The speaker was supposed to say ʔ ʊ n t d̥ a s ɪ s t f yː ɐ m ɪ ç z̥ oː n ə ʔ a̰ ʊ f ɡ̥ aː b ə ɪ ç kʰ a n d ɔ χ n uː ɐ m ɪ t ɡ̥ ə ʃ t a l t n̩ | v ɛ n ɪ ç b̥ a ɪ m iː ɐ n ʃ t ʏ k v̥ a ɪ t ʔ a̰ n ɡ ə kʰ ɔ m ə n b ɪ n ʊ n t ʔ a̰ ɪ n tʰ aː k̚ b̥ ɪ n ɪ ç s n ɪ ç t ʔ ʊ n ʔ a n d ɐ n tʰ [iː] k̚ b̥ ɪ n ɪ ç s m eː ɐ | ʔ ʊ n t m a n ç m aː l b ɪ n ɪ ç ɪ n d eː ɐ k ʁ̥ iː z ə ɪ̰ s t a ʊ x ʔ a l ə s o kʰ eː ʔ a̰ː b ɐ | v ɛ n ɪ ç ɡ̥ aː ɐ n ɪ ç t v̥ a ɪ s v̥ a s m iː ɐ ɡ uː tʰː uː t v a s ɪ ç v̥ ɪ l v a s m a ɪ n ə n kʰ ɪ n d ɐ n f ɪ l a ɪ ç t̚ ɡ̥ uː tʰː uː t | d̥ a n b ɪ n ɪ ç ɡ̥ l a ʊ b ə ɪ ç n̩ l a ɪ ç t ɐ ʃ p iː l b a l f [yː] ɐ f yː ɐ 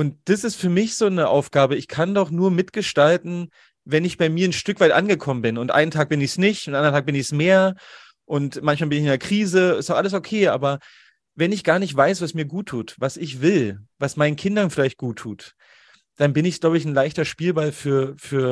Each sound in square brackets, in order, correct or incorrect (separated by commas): incorrect, correct